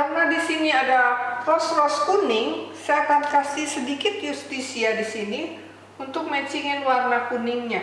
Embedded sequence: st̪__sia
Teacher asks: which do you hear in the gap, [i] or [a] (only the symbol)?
i